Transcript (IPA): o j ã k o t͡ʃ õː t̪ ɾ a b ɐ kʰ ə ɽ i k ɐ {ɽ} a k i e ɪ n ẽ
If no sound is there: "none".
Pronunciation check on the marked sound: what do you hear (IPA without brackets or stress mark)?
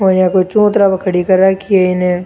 ɾ